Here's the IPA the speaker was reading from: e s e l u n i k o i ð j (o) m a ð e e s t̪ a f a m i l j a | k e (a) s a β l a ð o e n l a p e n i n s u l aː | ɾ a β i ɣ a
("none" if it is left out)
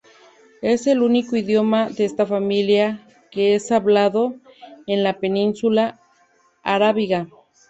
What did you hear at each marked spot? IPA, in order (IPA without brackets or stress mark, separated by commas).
o, e